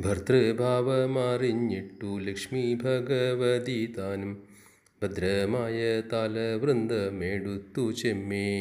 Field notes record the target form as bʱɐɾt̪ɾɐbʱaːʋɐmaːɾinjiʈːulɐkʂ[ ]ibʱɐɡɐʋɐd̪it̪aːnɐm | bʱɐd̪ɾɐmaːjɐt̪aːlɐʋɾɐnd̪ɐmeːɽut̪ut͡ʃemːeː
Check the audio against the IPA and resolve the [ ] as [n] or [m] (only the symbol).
m